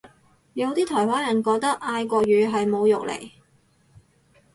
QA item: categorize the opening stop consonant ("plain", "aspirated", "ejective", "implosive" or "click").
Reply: plain